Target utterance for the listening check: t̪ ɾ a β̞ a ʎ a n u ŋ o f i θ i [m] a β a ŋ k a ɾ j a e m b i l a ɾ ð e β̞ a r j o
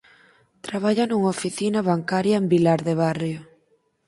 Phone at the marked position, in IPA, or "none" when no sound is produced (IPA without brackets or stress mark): n